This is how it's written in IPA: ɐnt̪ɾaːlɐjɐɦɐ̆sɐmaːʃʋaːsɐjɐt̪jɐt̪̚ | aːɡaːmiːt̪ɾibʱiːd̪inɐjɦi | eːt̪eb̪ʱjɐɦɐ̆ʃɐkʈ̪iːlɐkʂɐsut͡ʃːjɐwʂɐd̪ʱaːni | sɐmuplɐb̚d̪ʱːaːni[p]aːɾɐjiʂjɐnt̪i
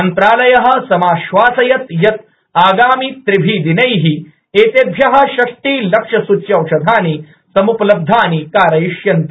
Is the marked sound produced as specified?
no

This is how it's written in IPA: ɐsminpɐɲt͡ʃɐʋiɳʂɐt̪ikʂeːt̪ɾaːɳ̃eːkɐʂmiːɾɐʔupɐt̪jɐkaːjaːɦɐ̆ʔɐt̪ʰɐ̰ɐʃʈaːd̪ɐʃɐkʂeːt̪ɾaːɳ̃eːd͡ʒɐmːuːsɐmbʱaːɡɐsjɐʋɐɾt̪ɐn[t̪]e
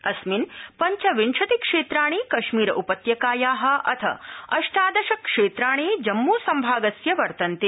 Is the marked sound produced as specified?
yes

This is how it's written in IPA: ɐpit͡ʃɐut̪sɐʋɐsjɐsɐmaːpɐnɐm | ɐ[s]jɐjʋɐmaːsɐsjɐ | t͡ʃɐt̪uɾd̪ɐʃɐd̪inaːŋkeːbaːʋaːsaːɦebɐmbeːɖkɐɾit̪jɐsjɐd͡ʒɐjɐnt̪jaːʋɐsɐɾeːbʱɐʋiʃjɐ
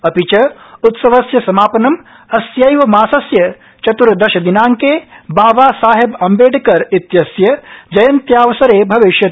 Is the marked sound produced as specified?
yes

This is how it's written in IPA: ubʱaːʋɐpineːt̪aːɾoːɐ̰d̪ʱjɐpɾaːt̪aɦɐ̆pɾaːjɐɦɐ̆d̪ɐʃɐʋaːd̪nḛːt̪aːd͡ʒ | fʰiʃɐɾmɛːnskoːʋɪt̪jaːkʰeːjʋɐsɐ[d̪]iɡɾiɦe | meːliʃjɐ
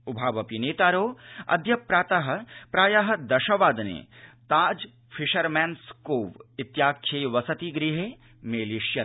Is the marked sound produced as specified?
no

